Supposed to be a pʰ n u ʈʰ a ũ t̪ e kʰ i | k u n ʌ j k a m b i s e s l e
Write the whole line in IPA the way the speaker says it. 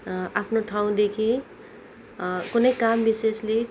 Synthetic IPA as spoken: a pʰ n o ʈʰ a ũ d̪ e kʰ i | k u n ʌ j k a m b i s e s l e